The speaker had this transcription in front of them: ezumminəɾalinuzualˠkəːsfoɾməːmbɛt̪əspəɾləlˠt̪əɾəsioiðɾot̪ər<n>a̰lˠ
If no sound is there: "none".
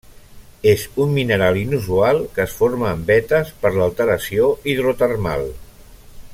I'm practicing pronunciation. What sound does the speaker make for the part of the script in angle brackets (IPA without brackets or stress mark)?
m